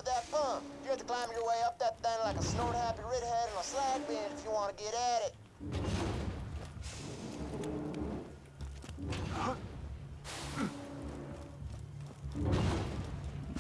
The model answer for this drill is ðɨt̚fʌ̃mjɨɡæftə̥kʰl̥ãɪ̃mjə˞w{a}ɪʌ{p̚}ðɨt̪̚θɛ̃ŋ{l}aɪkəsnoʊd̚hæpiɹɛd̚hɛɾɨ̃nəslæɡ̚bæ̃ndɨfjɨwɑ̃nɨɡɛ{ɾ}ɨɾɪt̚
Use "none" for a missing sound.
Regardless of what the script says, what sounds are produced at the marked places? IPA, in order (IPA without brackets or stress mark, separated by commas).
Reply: e, p̚, l, ɾ